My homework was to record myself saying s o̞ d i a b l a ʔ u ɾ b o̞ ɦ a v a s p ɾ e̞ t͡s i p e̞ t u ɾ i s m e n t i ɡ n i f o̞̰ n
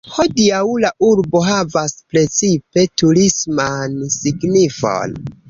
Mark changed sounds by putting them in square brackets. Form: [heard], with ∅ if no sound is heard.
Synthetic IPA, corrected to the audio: [h] o̞ d i a [w] l a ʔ u ɾ b o̞ ɦ a v a s p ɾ e̞ t͡s i p e̞ t u ɾ i s m [a] n [s] i ɡ n i f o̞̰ n